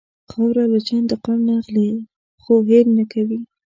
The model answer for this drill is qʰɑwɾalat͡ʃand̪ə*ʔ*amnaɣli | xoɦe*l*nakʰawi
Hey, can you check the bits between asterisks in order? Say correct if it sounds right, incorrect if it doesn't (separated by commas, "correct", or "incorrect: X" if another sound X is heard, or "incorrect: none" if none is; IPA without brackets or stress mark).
incorrect: q, correct